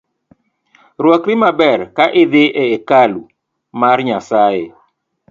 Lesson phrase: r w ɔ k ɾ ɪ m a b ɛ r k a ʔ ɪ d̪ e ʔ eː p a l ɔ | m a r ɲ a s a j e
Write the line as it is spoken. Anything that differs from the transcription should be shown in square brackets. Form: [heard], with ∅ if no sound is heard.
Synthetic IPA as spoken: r w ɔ k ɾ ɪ m a b ɛ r k a ʔ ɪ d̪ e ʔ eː [k] a l [u] | m a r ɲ a s a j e

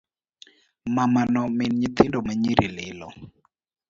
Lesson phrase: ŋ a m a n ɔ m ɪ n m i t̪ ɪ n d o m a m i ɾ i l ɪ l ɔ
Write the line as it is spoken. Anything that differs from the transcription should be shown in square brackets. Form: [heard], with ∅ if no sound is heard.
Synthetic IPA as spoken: [m] a m a n ɔ m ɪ n [ɲ] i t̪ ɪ n d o m a [ɲ] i ɾ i l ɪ l ɔ

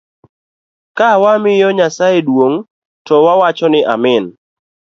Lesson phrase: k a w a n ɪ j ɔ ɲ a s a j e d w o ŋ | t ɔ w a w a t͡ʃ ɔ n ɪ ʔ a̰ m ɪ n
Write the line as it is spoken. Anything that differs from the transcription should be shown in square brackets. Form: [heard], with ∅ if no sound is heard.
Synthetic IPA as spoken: k a w a [m] ɪ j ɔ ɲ a s a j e d w o ŋ | t ɔ w a w a t͡ʃ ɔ n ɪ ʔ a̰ m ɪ n

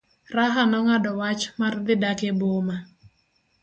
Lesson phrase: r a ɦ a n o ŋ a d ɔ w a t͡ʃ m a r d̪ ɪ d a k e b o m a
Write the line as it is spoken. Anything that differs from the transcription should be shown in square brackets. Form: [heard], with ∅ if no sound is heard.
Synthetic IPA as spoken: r a ɦ a n [ɔ] ŋ a d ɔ w a t͡ʃ m a r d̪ ɪ d a k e b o m a

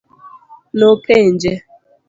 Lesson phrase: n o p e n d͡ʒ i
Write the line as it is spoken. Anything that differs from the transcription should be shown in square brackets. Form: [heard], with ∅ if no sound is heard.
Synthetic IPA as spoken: n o [k] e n d͡ʒ [e]

